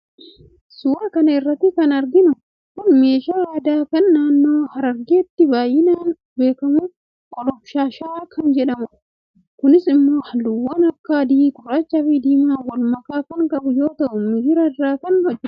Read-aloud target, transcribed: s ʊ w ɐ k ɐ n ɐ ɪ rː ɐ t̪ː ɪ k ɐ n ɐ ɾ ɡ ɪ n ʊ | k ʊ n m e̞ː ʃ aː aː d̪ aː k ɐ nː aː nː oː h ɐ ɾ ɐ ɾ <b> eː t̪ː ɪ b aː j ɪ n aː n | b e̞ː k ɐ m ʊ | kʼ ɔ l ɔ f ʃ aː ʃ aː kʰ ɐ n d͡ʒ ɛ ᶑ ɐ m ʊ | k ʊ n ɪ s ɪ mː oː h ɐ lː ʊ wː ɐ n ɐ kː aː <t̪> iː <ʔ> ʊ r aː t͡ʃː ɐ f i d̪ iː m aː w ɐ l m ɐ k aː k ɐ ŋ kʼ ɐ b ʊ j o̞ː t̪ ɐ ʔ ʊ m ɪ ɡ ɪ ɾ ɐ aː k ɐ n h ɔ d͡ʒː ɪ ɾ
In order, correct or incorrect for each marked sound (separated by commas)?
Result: incorrect, incorrect, incorrect